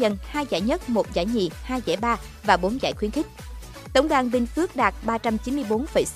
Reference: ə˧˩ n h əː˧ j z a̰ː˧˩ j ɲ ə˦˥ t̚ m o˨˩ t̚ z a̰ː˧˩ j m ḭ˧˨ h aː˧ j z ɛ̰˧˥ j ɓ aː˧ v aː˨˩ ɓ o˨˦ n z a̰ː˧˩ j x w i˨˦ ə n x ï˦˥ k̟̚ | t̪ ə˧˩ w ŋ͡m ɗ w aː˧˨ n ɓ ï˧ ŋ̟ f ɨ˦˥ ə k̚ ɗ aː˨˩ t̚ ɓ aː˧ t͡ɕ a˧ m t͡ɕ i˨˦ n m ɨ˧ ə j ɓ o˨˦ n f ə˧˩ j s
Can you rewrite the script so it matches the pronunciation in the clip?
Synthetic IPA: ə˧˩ n h aː˧ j z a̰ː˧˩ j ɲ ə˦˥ t̚ m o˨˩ t̚ z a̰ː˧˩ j ɲ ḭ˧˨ h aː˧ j z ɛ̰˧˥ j ɓ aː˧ v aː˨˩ ɓ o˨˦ n z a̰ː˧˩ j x w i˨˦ ə n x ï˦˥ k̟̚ | t̪ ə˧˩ w ŋ͡m ɗ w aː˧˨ n ɓ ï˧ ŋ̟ f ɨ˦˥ ə k̚ ɗ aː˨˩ t̚ ɓ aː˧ t͡ɕ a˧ m t͡ɕ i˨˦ n m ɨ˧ ə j ɓ o˨˦ n f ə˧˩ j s